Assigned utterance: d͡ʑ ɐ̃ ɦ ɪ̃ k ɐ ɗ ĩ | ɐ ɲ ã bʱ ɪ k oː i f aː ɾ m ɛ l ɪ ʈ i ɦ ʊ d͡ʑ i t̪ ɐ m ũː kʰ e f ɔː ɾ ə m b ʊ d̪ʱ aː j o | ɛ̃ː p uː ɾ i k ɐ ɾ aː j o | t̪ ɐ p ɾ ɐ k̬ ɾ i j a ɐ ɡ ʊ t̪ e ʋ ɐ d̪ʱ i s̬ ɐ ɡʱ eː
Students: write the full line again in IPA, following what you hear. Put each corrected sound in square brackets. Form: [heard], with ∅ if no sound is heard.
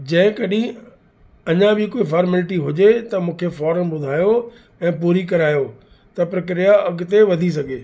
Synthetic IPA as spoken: d͡ʑ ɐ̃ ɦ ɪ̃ k ɐ ɗ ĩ | ɐ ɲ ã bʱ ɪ k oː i f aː ɾ m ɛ l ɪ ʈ i ɦ ʊ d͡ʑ [e] t̪ ɐ m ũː kʰ e f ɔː ɾ ə m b ʊ d̪ʱ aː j o | ɛ̃ː p uː ɾ i k ɐ ɾ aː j o | t̪ ɐ p ɾ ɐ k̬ ɾ i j a ɐ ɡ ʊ t̪ e ʋ ɐ d̪ʱ i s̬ ɐ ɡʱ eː